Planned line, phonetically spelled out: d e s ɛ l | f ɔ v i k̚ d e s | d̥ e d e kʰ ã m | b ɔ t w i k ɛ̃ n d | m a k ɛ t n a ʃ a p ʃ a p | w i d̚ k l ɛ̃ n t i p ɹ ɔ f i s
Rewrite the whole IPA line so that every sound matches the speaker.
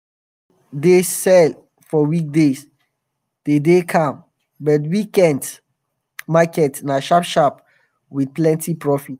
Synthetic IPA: d e s ɛ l | f ɔ w i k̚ d e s | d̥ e d e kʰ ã m | b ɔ t w i k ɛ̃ n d | m a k ɛ t n a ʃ a p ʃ a p | w i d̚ p l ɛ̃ n t i p ɹ ɔ f i t